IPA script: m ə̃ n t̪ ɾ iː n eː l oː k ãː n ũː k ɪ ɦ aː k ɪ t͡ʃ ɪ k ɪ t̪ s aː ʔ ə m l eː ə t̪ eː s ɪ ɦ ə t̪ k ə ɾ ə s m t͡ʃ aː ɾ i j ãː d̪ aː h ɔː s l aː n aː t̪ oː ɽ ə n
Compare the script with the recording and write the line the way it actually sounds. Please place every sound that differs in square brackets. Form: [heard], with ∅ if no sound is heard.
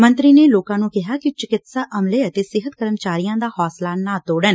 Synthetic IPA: m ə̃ n t̪ ɾ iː n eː l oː k ãː n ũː k ɪ ɦ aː k ɪ t͡ʃ ɪ k ɪ t̪ s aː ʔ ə m l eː ə t̪ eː s ɪ ɦ ə t̪ k ə ɾ ə [∅] m t͡ʃ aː ɾ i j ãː d̪ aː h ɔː s l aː n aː t̪ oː ɽ ə n